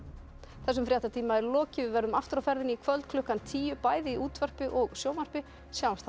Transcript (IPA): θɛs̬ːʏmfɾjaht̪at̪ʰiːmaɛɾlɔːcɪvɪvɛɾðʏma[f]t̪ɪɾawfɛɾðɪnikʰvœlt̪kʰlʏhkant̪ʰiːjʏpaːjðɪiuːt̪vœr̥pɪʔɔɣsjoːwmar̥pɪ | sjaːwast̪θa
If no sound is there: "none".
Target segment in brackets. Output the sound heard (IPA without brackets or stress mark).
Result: f